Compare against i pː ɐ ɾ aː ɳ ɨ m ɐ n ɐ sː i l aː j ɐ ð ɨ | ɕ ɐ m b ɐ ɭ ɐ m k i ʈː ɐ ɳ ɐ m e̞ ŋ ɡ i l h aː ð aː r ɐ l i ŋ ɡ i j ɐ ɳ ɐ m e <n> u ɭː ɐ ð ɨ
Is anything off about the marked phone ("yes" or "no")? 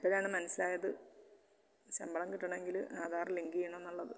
yes